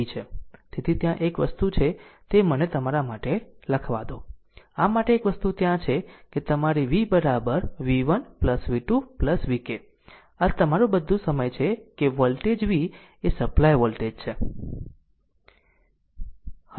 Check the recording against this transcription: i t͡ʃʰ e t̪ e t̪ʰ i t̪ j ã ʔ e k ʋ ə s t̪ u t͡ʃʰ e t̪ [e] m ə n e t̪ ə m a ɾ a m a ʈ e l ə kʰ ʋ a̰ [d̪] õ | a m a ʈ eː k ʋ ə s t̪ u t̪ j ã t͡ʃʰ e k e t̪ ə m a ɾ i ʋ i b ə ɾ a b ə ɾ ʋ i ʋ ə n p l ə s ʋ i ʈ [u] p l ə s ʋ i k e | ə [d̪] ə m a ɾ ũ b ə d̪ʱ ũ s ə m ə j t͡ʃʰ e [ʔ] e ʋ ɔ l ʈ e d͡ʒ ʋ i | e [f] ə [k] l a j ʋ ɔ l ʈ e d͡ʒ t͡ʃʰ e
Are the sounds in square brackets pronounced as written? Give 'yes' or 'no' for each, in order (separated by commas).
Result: yes, yes, yes, no, no, no, no